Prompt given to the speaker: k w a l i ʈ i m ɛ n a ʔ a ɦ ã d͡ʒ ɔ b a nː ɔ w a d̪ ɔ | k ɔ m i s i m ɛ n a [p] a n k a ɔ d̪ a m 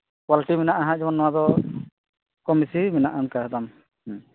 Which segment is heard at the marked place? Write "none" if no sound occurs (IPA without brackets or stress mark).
ʔ